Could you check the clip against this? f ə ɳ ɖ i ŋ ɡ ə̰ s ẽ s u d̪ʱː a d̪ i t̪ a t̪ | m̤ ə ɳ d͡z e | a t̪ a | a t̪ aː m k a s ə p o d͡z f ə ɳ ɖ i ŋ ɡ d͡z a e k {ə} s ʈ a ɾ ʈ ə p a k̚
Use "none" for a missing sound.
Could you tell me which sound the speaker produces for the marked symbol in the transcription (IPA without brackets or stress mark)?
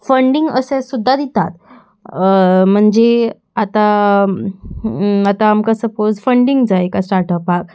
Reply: a